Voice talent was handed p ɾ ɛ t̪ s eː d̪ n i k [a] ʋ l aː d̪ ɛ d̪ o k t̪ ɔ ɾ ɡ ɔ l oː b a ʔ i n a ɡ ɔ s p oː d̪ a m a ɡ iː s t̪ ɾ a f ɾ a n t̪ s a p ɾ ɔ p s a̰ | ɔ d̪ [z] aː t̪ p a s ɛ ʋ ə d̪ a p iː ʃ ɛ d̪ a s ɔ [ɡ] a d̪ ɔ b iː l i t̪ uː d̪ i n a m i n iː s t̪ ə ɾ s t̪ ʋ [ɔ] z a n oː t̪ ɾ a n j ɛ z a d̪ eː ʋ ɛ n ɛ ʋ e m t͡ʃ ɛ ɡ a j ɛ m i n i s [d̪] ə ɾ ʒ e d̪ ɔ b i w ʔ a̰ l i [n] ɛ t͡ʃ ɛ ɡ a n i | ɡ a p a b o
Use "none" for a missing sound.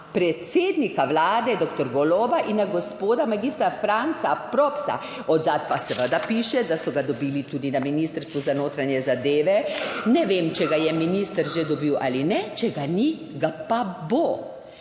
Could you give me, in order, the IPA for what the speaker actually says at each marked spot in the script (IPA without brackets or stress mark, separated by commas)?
a, z, ɡ, u, t̪, n